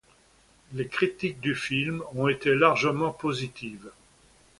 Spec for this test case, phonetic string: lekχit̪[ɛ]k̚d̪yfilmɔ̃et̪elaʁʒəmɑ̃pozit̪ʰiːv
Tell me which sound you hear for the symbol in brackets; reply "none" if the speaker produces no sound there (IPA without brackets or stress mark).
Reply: i